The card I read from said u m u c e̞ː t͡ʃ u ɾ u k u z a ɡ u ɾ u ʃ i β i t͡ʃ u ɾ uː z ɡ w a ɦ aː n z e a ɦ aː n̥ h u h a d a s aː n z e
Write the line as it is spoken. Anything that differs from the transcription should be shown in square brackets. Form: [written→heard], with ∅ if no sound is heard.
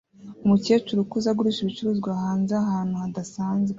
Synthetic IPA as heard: u m u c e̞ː t͡ʃ u ɾ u k u z a ɡ u ɾ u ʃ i β i t͡ʃ u ɾ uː z ɡ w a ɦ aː n z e a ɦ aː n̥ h u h a d a s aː n z e